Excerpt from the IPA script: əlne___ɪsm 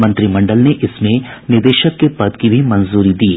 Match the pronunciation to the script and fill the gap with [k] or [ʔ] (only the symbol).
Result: ʔ